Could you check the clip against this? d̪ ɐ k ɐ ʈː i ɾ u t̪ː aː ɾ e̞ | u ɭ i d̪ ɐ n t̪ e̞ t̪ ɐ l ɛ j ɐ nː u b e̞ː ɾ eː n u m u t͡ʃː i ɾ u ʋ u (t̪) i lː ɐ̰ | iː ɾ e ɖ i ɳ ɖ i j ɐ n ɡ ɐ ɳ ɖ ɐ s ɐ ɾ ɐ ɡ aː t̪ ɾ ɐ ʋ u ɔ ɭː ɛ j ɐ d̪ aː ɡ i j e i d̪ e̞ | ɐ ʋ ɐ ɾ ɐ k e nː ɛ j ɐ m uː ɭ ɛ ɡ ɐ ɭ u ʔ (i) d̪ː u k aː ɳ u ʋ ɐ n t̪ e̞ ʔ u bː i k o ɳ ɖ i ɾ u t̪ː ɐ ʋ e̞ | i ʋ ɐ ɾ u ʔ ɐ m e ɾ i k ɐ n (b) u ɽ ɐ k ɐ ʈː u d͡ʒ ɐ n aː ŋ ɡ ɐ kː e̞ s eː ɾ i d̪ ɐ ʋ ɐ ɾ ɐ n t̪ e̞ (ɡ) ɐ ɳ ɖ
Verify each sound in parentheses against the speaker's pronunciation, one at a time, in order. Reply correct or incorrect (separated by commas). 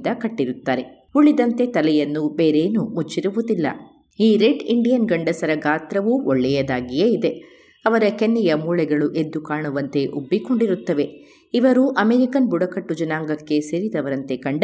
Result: incorrect, incorrect, correct, incorrect